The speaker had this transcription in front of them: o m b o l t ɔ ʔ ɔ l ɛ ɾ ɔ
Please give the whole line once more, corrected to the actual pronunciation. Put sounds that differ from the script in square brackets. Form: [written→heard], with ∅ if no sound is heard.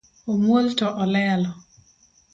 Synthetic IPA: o m [b→w] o l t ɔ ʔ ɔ l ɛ [ɾ→l] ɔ